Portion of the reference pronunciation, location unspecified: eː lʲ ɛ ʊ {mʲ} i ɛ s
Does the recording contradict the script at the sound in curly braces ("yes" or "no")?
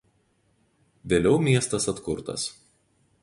no